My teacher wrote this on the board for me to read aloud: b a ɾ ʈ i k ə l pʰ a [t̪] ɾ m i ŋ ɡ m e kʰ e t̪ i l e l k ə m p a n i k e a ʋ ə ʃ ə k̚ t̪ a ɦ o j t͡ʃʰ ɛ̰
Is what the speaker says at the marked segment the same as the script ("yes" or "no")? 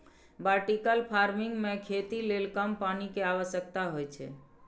no